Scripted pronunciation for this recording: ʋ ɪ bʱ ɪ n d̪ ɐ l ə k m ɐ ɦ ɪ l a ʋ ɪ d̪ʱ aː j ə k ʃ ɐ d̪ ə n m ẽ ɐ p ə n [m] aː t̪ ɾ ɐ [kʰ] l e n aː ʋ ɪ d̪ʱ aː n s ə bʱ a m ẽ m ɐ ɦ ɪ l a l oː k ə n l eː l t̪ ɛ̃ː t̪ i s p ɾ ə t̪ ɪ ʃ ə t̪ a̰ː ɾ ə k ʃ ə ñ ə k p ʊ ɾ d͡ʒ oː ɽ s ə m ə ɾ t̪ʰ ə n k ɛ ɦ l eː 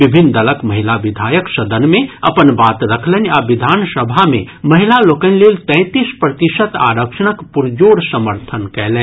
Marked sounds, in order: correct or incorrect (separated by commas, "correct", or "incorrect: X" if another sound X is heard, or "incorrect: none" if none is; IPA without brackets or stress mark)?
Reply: incorrect: b, correct